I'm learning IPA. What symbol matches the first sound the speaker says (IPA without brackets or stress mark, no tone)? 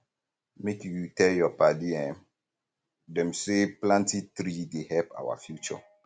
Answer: m